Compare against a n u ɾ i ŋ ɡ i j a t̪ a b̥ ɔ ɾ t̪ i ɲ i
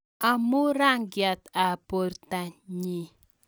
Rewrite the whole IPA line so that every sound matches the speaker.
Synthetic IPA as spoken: a m u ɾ a ŋ ɡ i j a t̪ a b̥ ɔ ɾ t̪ a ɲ i